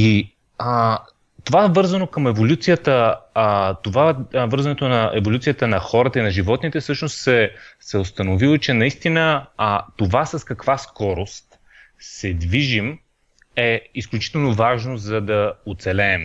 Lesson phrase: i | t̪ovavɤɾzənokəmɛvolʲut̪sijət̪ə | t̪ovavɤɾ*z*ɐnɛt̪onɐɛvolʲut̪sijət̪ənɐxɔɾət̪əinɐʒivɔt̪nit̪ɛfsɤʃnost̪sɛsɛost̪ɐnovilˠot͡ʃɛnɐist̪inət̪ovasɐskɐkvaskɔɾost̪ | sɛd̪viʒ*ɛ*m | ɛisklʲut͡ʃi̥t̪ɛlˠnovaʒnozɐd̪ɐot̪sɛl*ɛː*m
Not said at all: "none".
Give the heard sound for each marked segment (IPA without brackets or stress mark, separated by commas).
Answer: z, i, ɛː